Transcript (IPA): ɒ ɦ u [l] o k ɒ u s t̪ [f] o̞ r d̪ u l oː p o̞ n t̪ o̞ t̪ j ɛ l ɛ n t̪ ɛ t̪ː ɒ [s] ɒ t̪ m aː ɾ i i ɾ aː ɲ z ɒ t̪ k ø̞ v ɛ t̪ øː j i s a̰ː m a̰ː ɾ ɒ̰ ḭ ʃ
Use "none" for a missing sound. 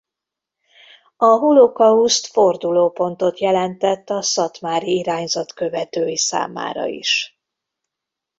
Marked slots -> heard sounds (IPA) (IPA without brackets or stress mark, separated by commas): l, f, s